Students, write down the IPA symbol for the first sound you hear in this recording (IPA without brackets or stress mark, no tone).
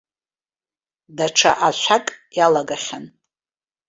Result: d